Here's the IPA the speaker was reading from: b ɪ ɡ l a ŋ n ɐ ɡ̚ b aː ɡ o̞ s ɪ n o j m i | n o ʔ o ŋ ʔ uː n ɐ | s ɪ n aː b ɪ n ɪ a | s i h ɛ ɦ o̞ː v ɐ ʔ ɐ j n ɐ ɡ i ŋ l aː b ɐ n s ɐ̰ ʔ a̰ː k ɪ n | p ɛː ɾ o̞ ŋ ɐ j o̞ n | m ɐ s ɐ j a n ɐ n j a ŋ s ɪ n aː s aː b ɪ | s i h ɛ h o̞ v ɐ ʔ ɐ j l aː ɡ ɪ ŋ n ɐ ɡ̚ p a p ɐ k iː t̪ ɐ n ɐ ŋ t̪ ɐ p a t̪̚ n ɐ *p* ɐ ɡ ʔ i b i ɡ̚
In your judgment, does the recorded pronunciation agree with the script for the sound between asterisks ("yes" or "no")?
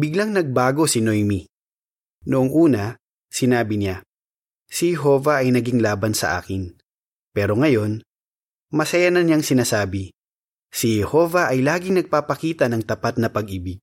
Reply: yes